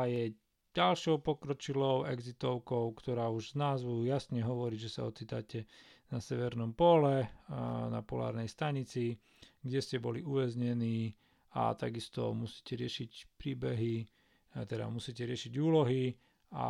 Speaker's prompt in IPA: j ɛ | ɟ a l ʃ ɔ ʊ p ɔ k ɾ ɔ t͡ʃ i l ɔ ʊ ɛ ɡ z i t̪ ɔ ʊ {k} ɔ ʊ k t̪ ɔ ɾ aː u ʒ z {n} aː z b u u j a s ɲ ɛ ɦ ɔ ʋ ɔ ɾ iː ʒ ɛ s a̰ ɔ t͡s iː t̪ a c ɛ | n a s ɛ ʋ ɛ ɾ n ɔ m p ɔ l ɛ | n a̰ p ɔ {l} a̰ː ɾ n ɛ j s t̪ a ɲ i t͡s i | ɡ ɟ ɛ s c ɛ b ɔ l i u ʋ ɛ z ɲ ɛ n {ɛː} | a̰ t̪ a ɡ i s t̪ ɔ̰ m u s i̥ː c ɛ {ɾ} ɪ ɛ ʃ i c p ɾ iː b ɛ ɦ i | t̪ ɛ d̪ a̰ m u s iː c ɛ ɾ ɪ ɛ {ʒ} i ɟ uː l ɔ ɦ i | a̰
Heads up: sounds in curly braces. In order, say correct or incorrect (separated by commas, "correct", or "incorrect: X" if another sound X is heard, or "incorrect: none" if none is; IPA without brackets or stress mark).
correct, correct, correct, incorrect: iː, correct, incorrect: ʃ